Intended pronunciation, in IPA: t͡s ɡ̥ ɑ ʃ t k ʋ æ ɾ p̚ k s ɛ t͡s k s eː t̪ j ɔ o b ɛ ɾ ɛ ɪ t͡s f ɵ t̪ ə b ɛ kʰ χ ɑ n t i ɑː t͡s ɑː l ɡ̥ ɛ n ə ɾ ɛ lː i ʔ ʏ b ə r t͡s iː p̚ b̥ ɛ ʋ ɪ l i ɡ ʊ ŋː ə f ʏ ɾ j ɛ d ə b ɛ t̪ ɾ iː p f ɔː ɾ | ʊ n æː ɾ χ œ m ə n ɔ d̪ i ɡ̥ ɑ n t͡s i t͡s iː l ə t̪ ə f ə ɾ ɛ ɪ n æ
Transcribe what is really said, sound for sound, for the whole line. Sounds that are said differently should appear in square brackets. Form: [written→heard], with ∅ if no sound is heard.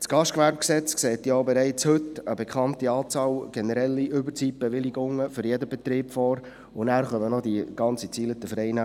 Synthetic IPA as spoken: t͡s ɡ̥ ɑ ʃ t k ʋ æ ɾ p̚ k s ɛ t͡s k s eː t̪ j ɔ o b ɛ ɾ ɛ ɪ t͡s [f→h] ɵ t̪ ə b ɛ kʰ χ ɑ n t i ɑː t͡s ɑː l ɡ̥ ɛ n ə ɾ ɛ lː i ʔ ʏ b ə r t͡s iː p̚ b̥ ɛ ʋ ɪ l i ɡ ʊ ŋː ə f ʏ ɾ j ɛ d ə b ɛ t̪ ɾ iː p f ɔː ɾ | ʊ n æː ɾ χ œ m ə n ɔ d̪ i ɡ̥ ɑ n t͡s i t͡s iː l ə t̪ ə f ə ɾ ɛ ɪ n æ

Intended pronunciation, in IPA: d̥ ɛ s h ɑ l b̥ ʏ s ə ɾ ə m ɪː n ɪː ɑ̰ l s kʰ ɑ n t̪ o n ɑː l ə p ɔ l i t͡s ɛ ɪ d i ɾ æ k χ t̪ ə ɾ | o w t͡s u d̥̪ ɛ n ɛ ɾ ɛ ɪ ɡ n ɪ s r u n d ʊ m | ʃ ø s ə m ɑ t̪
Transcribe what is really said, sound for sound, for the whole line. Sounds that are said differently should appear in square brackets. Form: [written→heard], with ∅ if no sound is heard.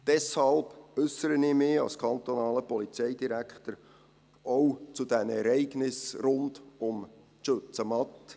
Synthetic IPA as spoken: d̥ ɛ s h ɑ l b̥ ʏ s ə ɾ ə [m→n] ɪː [n→m] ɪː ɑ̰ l s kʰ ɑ n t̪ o n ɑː l ə p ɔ l i t͡s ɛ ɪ d i ɾ æ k χ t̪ ə ɾ | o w t͡s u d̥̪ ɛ n ɛ ɾ ɛ ɪ ɡ n ɪ s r [u→ʊ] n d ʊ m | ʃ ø [s→t͡s] ə m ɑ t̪

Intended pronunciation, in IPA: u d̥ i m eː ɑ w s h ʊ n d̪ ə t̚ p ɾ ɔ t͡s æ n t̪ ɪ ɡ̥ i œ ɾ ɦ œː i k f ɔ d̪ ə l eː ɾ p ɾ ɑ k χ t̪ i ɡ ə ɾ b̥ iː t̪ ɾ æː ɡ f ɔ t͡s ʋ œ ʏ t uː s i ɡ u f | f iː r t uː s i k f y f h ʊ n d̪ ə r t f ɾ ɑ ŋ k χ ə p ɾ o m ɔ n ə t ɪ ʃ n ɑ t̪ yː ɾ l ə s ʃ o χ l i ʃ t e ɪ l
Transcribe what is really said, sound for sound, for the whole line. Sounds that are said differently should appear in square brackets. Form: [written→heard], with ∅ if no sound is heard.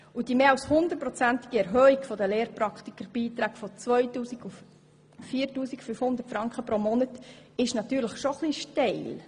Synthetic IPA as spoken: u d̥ i m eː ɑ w s h ʊ n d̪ ə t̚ p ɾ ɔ t͡s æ n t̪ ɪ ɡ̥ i [œ→ɛ] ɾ ɦ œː i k f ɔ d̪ ə l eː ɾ p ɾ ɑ k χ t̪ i [ɡ→k] ə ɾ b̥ iː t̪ ɾ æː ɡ f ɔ t͡s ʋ œ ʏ t uː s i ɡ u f | f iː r t uː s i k f y f h ʊ n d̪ ə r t f ɾ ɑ ŋ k χ ə p ɾ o m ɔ n ə t ɪ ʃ n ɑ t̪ yː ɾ l ə [s→χ] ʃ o χ l i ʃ t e ɪ l

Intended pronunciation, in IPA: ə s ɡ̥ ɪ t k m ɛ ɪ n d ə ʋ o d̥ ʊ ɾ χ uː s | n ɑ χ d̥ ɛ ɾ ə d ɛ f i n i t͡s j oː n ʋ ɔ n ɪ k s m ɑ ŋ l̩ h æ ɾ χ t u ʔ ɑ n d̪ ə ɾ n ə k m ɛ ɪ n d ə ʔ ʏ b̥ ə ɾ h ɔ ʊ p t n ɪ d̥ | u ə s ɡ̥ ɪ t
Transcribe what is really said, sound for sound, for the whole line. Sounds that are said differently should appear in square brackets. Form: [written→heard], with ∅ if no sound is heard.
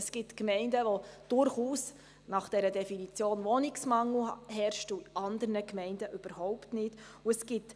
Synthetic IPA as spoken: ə s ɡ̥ ɪ t k m ɛ ɪ n d ə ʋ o d̥ ʊ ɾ χ uː s | n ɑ χ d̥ ɛ ɾ ə d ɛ f i n i t͡s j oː n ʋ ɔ n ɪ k s m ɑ ŋ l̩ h [æ→ɛ] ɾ [χ→ʃ] t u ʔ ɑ n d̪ ə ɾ n ə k m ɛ ɪ n d ə ʔ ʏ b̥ ə ɾ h ɔ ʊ p t n ɪ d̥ | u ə s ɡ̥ ɪ t

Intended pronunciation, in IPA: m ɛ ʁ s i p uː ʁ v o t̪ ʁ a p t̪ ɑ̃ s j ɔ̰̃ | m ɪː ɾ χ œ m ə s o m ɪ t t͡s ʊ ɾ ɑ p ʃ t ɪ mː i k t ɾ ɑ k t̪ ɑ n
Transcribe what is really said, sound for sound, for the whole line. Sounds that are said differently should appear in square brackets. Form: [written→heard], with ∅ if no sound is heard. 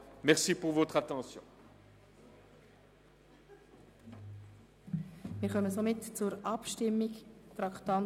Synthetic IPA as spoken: m ɛ ʁ s i p [uː→u] ʁ v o t̪ [ʁ→χ] a [p→∅] t̪ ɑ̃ s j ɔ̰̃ | m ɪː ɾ χ œ m ə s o m ɪ t t͡s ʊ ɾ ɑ p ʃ t ɪ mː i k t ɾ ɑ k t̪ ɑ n

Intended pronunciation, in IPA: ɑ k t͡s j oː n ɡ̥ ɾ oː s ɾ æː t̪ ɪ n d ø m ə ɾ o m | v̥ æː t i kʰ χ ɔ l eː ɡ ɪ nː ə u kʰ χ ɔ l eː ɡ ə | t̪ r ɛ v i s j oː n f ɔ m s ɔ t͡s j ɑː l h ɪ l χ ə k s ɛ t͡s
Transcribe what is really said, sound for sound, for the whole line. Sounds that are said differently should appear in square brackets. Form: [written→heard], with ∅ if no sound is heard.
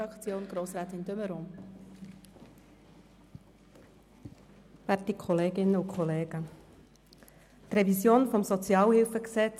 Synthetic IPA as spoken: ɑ k t͡s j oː n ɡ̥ ɾ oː s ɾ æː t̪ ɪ n d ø m ə ɾ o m | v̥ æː t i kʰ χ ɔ l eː ɡ ɪ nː ə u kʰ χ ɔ l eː ɡ ə | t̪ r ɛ v i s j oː n f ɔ m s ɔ t͡s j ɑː l h ɪ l [χ→f] ə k s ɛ t͡s

